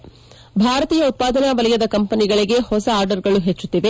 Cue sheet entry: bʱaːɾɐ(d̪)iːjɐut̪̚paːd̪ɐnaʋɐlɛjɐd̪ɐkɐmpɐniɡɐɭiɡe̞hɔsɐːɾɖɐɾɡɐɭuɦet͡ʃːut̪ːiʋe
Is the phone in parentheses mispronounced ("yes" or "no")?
yes